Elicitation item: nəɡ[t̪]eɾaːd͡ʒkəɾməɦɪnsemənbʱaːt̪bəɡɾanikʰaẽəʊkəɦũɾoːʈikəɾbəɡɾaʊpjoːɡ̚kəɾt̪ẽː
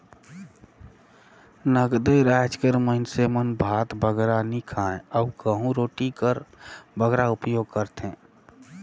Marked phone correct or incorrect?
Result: incorrect